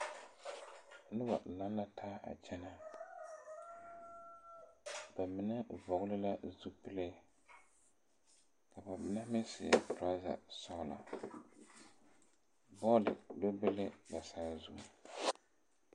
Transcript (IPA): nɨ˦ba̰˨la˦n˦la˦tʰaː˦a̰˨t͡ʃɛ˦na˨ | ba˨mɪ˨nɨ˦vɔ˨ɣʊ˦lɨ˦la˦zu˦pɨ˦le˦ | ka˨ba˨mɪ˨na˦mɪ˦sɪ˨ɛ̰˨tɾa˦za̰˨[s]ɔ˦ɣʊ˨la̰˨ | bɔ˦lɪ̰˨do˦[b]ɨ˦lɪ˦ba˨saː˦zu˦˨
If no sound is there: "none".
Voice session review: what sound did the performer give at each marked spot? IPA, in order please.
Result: s, b

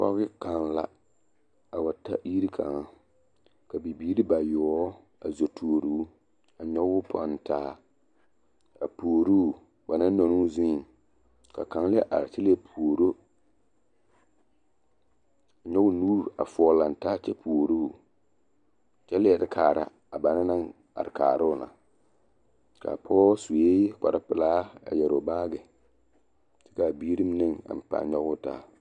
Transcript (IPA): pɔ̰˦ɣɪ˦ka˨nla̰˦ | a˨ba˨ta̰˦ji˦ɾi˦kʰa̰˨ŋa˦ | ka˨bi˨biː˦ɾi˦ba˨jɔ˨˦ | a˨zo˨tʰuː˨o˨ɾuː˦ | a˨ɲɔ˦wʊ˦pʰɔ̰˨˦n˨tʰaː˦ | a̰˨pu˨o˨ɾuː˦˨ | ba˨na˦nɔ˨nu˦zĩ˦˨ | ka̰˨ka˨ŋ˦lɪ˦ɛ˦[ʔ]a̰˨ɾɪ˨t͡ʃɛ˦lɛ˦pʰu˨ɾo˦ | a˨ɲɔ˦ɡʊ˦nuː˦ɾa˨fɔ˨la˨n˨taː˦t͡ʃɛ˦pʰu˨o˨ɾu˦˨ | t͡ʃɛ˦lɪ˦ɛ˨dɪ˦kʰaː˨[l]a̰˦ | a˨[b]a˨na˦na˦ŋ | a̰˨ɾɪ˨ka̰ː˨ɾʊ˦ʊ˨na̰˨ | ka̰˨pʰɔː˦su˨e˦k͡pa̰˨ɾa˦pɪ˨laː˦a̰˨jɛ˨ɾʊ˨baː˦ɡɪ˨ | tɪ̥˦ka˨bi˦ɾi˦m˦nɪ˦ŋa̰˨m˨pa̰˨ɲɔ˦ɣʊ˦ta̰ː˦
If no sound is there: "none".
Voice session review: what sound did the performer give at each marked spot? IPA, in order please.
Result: ʔ, ɾ, b

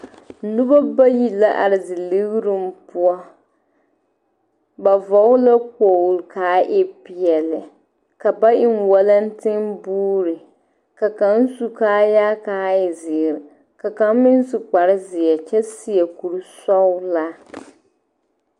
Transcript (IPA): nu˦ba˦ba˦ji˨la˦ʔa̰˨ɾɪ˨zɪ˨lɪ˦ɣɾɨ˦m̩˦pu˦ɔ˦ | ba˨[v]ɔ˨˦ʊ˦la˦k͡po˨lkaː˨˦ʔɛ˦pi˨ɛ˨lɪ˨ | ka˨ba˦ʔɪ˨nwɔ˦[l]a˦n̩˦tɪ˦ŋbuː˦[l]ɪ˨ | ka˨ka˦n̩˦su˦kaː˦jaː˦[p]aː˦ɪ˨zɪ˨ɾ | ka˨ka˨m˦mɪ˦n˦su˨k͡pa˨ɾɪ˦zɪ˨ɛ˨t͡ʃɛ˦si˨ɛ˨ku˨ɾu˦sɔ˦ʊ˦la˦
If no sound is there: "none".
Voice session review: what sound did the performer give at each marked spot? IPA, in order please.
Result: v, l, ɾ, k

